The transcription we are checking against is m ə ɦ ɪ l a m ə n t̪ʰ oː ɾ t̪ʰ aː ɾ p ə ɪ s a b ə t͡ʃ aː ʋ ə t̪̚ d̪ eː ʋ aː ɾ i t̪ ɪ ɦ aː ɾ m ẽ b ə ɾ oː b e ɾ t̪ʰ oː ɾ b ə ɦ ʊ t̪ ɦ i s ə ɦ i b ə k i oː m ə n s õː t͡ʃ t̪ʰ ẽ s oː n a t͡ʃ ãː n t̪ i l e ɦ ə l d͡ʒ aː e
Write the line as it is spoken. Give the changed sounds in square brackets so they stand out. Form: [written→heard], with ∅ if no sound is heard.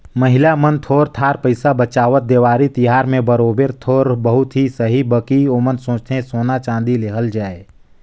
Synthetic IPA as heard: m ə ɦ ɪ l a m ə n t̪ʰ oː ɾ t̪ʰ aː ɾ p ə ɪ s a b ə t͡ʃ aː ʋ ə t̪̚ d̪ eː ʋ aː ɾ i t̪ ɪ ɦ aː ɾ m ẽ b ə ɾ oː b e ɾ t̪ʰ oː ɾ b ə ɦ ʊ t̪ ɦ i s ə ɦ i b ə k i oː m ə n s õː t͡ʃ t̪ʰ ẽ s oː n a t͡ʃ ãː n [t̪→d̪] i l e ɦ ə l d͡ʒ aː e